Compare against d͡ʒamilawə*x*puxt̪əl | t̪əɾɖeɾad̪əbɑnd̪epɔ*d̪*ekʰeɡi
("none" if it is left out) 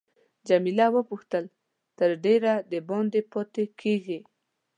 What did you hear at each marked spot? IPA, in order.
none, t̪

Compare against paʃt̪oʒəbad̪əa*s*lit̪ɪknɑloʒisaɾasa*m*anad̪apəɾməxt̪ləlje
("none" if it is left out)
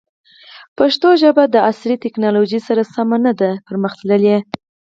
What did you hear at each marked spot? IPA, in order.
s, m

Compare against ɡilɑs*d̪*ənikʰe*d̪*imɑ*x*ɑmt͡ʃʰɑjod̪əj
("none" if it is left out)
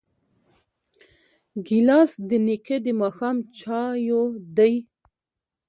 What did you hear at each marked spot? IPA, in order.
d̪, d̪, x

